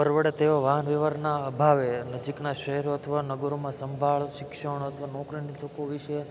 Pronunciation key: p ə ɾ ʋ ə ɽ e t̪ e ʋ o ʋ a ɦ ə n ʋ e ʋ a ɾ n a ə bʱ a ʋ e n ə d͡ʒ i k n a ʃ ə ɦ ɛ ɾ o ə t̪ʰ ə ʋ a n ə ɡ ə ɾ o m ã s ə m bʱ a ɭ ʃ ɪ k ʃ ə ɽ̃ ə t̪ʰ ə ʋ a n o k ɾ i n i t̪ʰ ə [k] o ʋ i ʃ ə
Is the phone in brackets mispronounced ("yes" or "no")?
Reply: no